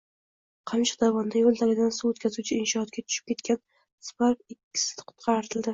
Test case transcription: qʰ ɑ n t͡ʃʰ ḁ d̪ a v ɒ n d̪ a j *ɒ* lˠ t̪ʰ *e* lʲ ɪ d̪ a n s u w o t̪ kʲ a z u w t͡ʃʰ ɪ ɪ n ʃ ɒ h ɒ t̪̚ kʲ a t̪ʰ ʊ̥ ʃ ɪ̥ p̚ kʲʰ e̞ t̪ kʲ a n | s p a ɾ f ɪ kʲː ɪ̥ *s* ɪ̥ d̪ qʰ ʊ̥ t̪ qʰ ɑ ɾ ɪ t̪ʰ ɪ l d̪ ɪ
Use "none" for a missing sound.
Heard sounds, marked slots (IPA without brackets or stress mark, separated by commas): o, a, s